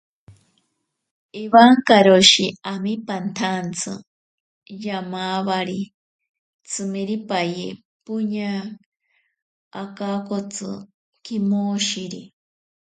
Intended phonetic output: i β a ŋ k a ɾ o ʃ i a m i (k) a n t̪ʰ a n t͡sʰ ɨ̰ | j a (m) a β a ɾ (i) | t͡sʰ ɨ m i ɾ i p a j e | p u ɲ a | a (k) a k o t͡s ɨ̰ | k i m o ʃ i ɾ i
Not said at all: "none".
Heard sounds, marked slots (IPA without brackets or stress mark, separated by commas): p, m, i, k